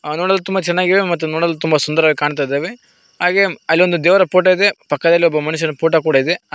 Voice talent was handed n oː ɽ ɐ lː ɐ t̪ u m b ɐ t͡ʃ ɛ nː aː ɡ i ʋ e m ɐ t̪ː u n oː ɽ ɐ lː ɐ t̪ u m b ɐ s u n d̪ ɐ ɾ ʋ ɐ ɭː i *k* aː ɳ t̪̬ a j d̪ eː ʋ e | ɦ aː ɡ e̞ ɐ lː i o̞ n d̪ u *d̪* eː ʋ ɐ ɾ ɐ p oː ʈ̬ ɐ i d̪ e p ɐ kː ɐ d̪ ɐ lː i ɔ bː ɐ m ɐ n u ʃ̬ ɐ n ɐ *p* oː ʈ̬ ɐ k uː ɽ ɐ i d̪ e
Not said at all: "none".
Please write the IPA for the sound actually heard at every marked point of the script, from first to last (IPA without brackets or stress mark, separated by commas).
k, d̪, p